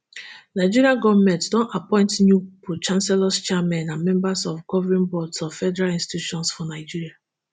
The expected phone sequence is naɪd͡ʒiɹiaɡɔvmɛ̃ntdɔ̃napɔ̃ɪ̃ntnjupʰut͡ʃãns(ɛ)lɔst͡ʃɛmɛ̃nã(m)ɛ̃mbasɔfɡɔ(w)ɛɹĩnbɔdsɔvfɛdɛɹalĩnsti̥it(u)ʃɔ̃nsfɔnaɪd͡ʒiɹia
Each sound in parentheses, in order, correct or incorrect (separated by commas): correct, correct, incorrect, correct